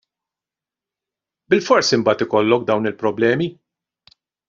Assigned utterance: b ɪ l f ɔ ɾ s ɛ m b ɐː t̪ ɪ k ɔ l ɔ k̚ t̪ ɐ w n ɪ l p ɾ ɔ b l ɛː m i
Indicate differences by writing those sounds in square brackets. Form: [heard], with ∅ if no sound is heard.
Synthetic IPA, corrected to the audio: b ɪ l f ɔ ɾ s [i] m b ɐː t̪ ɪ k ɔ [lː] ɔ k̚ [d̪] ɐ w n ɪ l p ɾ ɔ b l ɛː m i